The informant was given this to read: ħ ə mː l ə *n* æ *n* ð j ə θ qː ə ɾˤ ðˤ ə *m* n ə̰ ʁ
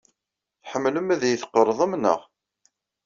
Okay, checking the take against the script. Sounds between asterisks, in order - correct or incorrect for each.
incorrect: m, incorrect: none, correct

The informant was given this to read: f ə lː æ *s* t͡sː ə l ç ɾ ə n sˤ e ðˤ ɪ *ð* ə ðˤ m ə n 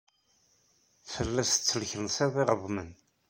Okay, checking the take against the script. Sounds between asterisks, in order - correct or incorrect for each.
correct, incorrect: ʁ

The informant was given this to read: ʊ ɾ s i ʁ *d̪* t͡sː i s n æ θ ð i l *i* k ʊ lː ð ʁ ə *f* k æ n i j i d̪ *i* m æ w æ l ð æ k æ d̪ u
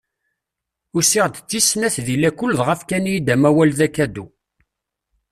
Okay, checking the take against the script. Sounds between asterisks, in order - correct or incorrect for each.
correct, incorrect: æ, correct, incorrect: æ

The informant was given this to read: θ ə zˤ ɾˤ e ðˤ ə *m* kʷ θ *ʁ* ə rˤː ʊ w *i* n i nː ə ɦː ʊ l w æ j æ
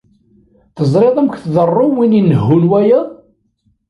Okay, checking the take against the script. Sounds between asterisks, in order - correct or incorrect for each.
correct, incorrect: ð, correct

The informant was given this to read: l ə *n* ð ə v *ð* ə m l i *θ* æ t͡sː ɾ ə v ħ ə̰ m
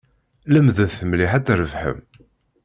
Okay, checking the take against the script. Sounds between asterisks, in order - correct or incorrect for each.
incorrect: m, incorrect: θ, incorrect: ħ

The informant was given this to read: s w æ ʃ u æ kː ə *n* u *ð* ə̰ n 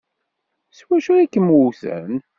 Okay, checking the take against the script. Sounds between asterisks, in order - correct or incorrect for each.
incorrect: m, incorrect: θ

